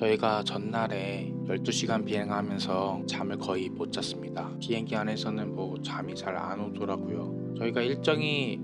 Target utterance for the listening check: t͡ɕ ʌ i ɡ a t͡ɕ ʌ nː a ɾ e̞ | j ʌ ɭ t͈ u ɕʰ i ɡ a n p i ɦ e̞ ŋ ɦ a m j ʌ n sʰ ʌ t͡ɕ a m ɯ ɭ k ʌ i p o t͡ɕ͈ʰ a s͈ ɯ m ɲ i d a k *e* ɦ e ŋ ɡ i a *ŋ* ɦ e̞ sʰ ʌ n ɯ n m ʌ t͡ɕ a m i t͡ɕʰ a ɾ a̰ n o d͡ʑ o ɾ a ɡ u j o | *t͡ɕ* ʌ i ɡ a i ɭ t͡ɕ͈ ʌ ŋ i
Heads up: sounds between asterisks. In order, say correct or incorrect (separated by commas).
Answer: incorrect, incorrect, correct